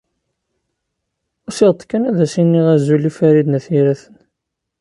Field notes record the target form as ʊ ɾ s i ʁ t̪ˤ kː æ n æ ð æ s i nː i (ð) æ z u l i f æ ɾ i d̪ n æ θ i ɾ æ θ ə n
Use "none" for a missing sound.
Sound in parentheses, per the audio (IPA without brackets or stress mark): ʁ